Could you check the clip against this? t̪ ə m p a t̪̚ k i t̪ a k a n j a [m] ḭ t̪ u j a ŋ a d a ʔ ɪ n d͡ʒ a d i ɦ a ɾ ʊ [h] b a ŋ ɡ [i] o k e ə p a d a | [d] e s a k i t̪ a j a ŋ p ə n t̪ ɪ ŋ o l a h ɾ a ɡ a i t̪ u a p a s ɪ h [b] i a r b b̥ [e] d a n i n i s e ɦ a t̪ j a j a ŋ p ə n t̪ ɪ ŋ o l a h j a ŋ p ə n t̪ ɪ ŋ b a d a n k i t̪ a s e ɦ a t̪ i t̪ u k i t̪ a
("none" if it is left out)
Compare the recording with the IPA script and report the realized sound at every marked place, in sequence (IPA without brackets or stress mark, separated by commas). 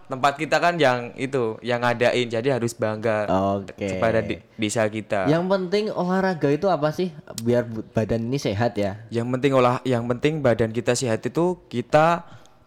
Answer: ŋ, s, a, d, b, a